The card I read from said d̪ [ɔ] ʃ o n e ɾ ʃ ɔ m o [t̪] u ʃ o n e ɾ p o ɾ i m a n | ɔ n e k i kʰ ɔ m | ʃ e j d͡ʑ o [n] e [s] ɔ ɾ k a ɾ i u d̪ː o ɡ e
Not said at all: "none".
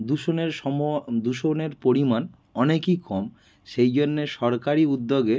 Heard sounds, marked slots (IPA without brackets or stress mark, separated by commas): u, d̪, nː, ʃ